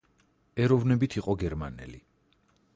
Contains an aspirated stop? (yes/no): yes